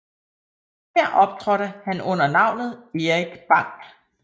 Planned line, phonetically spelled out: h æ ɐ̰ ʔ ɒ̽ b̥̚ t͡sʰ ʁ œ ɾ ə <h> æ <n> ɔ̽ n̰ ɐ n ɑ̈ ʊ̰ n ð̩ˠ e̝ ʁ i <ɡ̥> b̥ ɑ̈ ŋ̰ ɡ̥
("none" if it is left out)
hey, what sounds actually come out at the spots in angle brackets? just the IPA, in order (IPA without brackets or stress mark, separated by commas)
h, n, ɡ̥